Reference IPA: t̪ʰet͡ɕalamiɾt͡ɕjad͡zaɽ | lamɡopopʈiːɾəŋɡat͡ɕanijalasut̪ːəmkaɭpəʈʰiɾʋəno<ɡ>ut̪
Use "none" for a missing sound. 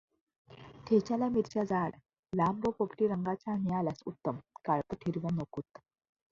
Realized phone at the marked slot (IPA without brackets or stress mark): k